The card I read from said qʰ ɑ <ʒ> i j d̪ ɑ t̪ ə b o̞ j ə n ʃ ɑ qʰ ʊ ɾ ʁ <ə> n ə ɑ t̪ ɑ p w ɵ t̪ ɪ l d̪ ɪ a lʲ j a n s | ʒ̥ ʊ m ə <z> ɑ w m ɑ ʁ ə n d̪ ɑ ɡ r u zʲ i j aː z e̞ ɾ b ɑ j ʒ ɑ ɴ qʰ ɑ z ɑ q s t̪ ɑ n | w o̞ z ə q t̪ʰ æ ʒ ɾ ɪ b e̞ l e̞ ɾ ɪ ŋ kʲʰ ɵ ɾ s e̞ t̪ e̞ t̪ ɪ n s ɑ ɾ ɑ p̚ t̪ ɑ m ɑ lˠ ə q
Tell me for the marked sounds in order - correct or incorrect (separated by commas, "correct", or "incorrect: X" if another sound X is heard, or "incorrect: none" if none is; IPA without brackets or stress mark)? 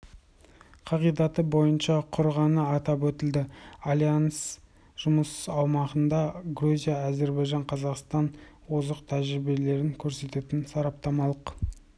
incorrect: ʁ, incorrect: ɑ, incorrect: s